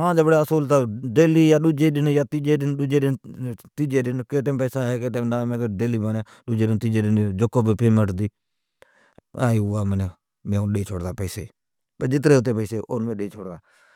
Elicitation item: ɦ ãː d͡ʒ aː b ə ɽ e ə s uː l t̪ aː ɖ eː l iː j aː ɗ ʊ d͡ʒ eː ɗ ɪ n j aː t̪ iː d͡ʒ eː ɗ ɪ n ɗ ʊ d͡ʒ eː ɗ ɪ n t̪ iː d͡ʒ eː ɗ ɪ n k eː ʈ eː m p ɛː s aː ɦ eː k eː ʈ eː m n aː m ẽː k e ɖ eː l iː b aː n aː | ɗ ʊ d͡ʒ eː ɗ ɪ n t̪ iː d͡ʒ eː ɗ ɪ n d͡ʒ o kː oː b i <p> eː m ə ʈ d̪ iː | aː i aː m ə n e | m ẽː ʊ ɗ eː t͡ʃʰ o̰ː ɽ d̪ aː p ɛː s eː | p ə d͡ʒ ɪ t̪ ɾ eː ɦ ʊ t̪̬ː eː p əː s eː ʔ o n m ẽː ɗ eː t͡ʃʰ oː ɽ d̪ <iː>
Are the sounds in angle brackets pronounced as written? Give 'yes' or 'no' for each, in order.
yes, no

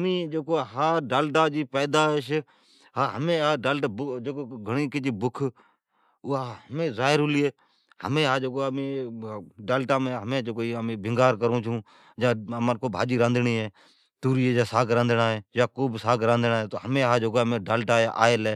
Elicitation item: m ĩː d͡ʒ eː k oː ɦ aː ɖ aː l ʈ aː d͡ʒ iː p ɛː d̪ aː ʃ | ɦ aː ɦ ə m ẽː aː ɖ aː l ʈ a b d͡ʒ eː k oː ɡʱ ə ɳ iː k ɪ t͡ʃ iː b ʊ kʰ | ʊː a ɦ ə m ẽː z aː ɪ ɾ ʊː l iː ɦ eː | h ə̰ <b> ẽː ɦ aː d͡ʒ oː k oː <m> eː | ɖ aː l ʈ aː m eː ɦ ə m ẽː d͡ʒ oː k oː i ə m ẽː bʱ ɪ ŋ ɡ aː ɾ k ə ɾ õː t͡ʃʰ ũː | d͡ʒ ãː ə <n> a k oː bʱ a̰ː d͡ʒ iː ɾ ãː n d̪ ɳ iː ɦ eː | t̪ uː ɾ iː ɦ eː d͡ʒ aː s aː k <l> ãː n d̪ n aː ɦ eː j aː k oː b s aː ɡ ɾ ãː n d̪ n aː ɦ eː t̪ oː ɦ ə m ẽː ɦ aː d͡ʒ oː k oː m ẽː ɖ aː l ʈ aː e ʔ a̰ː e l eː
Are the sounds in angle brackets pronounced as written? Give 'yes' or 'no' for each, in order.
no, yes, no, no

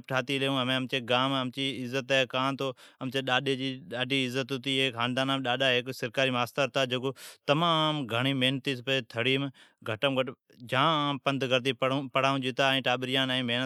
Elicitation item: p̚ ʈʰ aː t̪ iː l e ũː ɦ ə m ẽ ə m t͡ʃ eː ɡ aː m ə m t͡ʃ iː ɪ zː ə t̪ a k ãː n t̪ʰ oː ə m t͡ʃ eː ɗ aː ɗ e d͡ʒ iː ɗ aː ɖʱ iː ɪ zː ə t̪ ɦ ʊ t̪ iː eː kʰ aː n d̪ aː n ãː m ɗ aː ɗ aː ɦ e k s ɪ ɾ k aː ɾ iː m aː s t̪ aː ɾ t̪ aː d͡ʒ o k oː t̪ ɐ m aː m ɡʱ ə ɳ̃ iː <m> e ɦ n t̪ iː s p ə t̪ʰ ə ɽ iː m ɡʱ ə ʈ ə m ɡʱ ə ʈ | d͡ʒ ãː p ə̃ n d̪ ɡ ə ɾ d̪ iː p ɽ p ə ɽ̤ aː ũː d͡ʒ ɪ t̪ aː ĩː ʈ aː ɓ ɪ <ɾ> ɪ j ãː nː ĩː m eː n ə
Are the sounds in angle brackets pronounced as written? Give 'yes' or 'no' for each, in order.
yes, yes

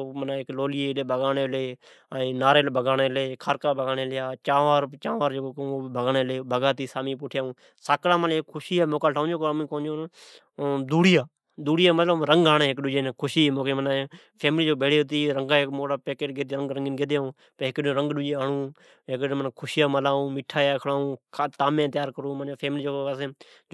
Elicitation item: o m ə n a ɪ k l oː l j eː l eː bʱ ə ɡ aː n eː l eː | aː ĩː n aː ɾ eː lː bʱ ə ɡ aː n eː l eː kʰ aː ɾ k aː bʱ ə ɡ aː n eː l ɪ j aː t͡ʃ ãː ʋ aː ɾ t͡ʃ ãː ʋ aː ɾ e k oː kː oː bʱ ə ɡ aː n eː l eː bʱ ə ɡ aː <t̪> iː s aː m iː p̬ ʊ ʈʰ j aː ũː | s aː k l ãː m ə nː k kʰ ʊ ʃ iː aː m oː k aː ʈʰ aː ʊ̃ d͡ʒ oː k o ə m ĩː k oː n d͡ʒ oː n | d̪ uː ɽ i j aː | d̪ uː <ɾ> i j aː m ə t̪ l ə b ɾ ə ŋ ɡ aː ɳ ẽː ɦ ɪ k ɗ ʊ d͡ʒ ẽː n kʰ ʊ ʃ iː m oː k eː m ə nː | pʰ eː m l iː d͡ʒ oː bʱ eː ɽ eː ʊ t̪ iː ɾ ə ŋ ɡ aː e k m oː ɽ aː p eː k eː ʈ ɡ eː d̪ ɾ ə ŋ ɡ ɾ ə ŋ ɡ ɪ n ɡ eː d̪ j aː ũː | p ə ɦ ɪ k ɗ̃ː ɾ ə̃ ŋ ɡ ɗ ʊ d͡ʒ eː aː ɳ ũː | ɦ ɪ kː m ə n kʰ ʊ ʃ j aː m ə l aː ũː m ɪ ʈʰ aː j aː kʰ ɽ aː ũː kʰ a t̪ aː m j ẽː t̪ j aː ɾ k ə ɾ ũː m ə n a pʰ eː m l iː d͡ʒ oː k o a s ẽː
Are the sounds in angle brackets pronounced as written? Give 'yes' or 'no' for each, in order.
yes, no

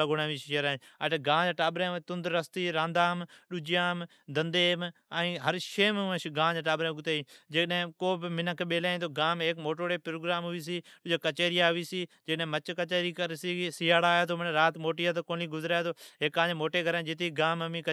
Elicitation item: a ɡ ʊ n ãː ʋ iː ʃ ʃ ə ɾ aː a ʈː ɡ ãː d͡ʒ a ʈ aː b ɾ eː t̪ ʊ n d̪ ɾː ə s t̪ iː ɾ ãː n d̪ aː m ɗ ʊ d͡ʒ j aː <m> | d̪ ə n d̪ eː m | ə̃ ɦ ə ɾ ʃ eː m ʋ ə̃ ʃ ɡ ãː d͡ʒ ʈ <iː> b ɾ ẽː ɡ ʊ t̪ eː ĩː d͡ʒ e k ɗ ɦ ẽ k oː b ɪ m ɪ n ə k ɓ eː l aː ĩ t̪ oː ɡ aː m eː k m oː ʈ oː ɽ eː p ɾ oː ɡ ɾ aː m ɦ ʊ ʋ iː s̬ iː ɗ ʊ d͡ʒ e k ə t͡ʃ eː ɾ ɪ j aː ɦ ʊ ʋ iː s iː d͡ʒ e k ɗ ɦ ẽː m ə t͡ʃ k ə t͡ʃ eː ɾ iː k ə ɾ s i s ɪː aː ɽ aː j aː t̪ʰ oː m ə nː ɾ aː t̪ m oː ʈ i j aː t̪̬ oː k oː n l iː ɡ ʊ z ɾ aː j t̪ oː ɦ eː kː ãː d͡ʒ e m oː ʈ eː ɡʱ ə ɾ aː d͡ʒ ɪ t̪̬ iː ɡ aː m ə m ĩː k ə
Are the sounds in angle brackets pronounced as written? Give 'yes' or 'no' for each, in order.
yes, no

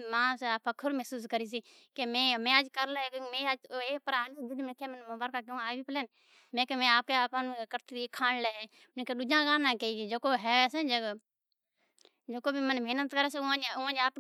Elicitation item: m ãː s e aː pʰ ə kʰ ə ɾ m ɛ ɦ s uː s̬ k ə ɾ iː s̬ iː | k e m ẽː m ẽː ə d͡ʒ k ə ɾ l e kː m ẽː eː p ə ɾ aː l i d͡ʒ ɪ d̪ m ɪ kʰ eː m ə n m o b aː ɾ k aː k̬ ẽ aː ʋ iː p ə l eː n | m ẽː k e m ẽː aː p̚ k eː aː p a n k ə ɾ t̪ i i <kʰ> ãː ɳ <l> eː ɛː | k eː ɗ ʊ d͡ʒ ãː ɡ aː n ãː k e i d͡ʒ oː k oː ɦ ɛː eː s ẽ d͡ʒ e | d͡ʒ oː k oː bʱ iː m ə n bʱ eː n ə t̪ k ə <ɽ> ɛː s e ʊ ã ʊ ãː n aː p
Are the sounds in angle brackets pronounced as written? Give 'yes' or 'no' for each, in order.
yes, yes, no

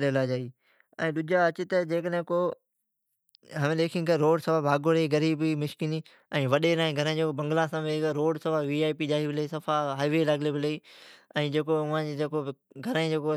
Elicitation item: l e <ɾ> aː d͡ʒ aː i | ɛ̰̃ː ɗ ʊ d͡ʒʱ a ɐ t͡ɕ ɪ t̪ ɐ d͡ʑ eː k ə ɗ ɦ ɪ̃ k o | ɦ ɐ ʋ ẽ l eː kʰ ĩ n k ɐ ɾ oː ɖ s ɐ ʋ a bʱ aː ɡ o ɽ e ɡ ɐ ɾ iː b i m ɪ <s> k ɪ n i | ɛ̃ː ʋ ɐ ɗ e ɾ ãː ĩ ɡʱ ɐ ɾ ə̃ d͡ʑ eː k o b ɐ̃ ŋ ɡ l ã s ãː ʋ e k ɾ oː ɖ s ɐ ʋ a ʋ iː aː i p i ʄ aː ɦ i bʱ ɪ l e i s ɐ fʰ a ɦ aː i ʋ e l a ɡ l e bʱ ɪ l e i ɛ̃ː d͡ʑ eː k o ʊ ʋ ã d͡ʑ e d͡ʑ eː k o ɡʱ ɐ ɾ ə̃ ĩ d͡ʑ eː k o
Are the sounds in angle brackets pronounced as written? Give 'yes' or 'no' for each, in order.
no, no

